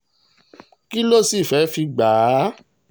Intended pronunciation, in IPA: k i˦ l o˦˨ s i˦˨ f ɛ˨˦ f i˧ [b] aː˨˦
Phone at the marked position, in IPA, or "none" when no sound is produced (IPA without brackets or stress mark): ɡ͡b